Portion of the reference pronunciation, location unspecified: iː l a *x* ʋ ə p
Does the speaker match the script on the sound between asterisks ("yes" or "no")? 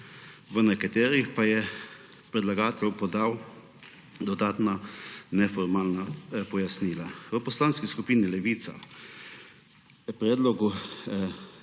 no